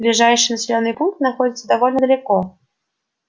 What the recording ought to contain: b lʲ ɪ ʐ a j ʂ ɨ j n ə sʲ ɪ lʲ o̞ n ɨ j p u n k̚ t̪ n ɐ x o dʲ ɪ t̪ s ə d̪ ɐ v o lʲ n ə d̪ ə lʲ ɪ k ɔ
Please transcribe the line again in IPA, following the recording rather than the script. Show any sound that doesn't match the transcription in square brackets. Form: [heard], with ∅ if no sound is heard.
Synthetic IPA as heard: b lʲ ɪ ʐ a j ʂ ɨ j n ə sʲ ɪ lʲ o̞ [nː] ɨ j p u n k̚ t̪ n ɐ x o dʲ ɪ t̪ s ə d̪ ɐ v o lʲ n ə d̪ ə lʲ ɪ k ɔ